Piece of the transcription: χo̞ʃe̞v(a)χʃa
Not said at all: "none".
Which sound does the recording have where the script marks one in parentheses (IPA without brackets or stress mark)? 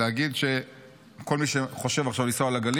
a